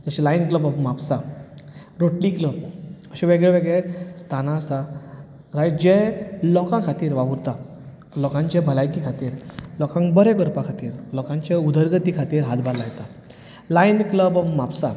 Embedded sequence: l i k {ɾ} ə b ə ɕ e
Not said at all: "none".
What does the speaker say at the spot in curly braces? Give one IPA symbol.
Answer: l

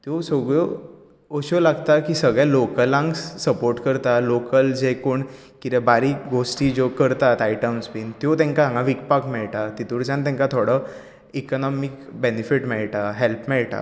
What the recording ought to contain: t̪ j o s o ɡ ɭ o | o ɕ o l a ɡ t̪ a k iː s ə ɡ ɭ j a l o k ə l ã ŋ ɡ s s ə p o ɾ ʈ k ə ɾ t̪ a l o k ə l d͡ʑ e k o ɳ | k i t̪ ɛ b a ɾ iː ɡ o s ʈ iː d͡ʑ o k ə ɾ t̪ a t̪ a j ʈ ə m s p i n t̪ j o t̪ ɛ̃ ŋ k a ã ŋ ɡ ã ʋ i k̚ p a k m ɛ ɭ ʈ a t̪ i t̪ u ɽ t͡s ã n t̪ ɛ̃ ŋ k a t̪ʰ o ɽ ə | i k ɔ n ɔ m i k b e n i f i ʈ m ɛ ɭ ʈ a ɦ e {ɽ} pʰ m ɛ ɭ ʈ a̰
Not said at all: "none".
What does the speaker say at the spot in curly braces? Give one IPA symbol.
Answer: l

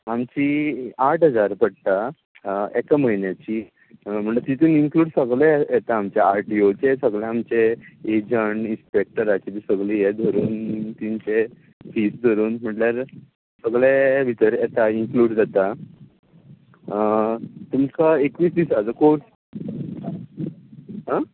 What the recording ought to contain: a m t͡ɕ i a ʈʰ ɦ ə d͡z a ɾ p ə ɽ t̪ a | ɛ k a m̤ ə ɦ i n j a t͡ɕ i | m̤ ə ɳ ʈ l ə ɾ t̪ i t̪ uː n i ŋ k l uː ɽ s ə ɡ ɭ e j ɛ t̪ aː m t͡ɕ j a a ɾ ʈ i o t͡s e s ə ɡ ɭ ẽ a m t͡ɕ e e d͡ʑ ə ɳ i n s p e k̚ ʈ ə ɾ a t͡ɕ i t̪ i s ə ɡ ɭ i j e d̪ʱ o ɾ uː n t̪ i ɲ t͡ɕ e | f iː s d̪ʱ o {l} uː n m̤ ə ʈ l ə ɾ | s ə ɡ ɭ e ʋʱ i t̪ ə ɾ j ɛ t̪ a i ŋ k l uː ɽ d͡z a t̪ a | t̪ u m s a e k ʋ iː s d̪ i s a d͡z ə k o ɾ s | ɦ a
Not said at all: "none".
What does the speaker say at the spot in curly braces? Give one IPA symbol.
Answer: ɾ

